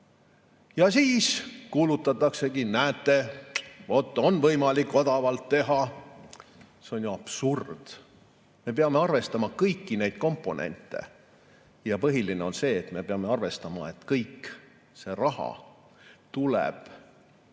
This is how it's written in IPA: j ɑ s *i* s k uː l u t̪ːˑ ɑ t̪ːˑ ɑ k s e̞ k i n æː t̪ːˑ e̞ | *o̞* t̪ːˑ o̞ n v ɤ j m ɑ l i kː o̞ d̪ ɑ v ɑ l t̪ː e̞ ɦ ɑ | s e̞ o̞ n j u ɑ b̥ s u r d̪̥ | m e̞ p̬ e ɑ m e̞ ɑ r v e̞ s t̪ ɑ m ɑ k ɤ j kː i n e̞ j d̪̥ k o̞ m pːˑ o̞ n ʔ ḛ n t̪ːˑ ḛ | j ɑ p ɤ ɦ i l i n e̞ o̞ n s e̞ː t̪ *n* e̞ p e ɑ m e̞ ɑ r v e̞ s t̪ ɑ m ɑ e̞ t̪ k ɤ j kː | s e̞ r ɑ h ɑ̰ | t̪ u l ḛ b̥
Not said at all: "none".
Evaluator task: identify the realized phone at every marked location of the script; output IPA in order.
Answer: iː, o̞, m

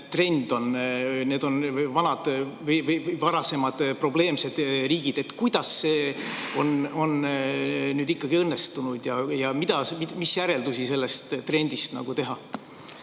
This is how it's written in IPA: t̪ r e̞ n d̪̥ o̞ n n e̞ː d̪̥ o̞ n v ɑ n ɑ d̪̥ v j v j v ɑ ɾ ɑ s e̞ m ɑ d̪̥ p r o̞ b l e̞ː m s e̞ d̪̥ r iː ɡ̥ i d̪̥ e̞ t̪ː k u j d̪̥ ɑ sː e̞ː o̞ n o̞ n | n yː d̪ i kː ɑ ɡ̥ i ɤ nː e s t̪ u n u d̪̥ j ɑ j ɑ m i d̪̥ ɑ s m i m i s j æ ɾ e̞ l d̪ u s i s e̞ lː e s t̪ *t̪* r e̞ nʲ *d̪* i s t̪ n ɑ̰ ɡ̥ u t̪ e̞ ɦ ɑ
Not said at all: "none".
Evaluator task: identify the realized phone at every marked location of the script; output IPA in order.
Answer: t̪, d̪

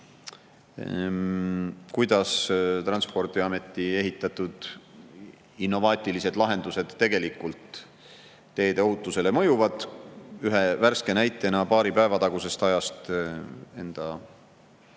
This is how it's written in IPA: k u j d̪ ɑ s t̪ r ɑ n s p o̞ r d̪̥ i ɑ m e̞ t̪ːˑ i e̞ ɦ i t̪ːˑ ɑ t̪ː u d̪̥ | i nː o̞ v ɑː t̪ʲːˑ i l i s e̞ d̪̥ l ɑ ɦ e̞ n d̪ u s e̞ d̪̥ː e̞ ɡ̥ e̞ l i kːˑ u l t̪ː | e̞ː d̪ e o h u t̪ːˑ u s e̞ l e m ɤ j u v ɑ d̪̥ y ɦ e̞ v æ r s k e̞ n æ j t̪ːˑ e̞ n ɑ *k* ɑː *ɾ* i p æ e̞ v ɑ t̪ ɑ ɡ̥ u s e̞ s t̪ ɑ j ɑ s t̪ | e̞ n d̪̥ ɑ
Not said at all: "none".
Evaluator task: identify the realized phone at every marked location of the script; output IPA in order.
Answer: p, ɾ

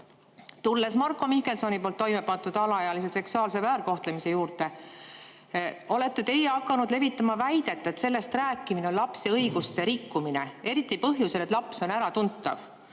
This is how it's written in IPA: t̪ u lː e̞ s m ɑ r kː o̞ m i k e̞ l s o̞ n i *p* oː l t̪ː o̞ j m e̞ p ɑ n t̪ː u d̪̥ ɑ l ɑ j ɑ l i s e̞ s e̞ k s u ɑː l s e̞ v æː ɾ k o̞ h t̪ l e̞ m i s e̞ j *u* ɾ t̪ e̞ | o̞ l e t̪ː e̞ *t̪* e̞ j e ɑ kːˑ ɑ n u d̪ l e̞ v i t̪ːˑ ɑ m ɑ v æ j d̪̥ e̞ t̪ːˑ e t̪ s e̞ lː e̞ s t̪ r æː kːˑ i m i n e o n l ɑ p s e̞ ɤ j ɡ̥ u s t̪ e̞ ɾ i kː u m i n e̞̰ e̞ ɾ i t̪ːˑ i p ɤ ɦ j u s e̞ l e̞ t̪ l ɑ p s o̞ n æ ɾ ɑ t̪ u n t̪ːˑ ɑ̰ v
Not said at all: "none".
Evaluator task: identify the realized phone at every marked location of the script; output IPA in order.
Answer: p, uː, t̪

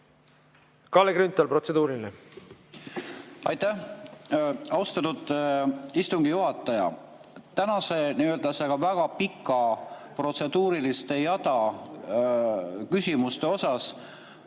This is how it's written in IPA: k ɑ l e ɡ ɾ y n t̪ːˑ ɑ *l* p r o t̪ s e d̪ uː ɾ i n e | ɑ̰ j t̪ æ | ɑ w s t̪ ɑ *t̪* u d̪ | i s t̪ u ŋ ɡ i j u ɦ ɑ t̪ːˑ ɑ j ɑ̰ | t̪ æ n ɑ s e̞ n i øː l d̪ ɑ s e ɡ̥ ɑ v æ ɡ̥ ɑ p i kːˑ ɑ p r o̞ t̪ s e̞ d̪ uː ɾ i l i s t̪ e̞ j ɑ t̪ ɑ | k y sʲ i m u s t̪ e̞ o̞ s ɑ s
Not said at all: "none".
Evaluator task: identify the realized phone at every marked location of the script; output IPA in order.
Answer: l, t̪

